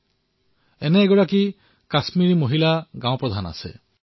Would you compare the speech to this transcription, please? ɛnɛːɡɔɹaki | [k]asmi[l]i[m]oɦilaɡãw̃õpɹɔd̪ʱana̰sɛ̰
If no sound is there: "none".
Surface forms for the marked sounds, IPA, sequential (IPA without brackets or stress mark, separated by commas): k, ɹ, m